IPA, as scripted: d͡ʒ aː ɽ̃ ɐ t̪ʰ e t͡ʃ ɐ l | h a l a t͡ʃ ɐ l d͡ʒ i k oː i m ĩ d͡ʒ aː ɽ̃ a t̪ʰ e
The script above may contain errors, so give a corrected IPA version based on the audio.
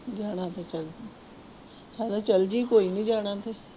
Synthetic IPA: d͡ʒ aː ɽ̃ a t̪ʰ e t͡ʃ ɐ l | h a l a t͡ʃ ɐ l d͡ʒ i k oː i n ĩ d͡ʒ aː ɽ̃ a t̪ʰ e

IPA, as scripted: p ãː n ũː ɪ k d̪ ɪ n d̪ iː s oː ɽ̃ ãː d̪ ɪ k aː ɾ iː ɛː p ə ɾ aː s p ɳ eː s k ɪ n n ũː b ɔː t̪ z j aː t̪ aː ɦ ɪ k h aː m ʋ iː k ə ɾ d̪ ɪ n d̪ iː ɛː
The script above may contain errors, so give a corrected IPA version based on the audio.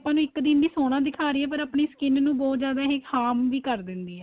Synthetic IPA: p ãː n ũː ɪ k d̪ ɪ n d̪ iː s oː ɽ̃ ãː d̪ ɪ kʰ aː ɾ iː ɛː p ə ɾ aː p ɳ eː s k ɪ n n ũː b ɔː t̪ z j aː d̪ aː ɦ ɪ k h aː m ʋ iː k ə ɾ d̪ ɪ n d̪ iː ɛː

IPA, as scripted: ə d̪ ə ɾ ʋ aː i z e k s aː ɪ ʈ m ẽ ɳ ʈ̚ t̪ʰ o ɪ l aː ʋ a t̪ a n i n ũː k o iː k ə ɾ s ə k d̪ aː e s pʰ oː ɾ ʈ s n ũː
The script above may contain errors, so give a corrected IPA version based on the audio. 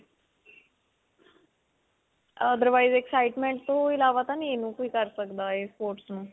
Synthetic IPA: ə d̪ ə ɾ ʋ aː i z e k s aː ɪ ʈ m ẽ ɳ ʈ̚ t̪ o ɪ l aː ʋ a t̪ a n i n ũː k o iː k ə ɾ s ə k d̪ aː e s p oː ɾ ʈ s n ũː

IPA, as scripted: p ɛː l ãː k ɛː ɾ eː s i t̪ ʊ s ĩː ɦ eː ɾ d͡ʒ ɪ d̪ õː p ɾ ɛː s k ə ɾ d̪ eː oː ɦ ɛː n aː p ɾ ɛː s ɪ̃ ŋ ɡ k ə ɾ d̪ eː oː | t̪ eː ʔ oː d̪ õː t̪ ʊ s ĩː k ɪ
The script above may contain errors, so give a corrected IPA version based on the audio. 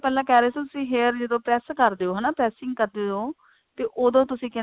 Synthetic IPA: p ɛː l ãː k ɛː ɾ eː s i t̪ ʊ s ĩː ɦ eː ɾ d͡ʒ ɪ d̪ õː p ɾ ɛː s k ə ɾ d̪ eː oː ɦ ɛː n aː p ɾ ɛː s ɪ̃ ŋ ɡ k ə ɾ d̪ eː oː | t̪ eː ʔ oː d̪ õː t̪ ʊ s ĩː k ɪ

